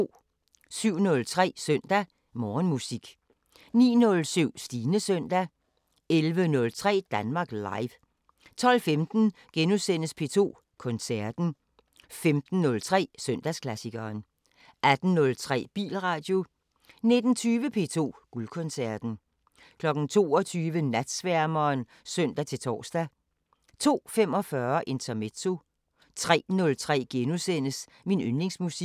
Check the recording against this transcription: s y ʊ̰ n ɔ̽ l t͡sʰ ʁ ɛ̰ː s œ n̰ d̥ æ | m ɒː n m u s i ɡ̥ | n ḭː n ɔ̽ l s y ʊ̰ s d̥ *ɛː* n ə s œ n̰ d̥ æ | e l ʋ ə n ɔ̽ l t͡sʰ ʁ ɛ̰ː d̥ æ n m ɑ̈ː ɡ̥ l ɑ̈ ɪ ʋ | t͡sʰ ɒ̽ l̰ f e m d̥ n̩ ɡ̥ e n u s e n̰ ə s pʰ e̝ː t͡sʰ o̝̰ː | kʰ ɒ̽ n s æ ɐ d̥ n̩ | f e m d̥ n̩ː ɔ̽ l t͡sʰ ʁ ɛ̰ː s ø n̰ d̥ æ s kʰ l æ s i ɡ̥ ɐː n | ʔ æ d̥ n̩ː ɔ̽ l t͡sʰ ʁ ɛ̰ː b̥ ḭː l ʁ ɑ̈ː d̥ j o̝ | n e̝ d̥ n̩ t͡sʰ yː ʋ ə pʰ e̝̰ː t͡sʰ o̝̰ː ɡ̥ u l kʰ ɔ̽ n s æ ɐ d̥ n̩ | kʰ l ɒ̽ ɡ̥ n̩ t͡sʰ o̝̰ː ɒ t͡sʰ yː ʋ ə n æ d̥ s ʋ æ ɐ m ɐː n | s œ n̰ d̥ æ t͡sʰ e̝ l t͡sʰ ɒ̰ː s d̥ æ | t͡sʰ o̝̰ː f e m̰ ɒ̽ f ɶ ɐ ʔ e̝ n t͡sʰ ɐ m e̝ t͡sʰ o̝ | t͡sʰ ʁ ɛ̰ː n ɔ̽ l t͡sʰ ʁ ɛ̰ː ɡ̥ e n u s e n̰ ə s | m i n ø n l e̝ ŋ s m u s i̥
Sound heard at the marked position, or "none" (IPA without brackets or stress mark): iː